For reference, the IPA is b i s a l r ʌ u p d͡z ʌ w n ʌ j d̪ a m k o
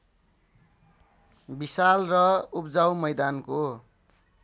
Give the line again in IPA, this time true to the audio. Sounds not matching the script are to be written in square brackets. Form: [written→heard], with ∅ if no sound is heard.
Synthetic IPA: b i s a l r ʌ u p d͡z [ʌ→a] w [n→m] ʌ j d̪ a [m→n] k o